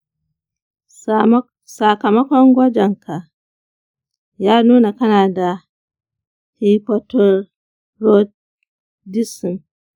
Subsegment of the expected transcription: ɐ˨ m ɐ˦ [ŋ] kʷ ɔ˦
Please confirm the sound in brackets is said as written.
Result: no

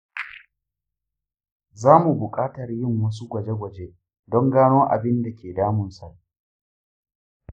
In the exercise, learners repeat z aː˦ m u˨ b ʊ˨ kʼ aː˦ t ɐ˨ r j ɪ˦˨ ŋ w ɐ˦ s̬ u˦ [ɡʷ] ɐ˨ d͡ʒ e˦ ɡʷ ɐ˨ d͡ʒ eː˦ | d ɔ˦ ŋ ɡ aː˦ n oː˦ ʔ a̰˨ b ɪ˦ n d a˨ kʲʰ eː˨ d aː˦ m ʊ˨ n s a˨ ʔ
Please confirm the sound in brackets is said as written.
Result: yes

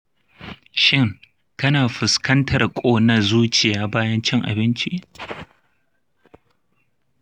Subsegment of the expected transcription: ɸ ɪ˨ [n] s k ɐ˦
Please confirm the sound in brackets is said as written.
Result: no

